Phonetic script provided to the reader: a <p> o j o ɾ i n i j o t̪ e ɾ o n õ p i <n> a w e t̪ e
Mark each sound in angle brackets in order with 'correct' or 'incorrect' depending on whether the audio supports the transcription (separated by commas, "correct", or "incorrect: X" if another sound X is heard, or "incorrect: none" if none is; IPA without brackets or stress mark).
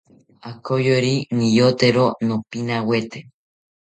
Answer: incorrect: k, correct